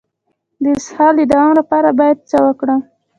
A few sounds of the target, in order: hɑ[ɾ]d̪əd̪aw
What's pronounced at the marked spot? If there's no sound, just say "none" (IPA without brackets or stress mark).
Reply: l